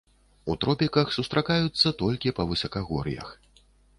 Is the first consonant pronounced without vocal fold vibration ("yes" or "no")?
yes